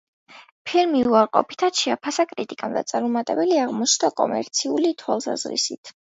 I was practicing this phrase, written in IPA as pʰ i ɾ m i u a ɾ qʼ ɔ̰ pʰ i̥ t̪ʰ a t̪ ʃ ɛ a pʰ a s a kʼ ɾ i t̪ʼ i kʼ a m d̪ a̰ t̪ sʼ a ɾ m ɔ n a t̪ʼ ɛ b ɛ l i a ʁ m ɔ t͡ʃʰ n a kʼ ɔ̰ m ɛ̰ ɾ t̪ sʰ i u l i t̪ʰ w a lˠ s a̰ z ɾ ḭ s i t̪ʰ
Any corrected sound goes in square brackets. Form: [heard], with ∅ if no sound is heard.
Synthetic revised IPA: pʰ i ɾ m i u a ɾ qʼ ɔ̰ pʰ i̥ t̪ʰ a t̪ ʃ ɛ a pʰ a s a kʼ ɾ i t̪ʼ i kʼ a m d̪ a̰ t̪ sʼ a ɾ m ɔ [m] a t̪ʼ ɛ b ɛ l i a ʁ m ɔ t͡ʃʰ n a kʼ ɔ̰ m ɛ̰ ɾ t̪ sʰ i u l i t̪ʰ w a lˠ s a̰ z ɾ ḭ s i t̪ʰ